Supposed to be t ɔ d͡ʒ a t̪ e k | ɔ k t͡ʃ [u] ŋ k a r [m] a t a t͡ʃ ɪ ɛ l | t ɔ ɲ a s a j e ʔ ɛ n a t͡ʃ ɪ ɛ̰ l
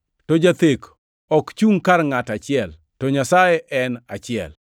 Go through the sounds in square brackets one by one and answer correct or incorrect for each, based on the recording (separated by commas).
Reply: correct, incorrect